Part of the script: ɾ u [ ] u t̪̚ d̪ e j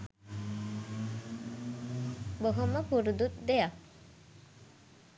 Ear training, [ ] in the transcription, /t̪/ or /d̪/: d̪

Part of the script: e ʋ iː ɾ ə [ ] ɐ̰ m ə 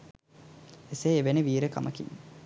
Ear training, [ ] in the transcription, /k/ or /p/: k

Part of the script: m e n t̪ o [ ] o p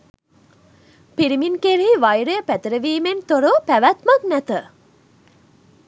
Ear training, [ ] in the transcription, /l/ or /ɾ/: ɾ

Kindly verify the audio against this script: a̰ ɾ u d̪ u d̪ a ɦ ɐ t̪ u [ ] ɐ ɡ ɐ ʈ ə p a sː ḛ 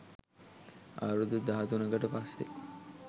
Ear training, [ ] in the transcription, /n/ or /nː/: n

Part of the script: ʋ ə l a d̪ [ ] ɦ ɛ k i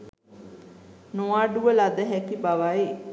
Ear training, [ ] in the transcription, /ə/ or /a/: ə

